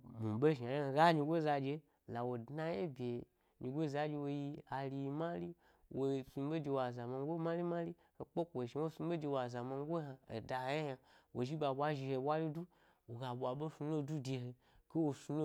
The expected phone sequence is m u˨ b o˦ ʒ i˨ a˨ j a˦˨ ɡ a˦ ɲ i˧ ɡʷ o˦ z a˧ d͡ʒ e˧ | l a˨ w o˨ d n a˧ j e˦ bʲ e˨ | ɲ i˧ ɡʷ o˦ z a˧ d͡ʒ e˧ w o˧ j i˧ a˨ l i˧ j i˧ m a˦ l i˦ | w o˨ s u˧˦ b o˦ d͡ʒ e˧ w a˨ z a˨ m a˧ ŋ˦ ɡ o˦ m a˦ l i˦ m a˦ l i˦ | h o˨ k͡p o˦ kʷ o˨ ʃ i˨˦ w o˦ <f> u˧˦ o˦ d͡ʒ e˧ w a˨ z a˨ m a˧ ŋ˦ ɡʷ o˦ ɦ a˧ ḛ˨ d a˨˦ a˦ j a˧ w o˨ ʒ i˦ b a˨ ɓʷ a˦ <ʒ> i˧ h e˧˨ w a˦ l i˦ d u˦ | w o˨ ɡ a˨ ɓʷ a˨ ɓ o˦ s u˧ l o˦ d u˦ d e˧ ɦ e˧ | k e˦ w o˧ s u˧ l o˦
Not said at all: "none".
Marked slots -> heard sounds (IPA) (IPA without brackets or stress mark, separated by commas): s, ʒ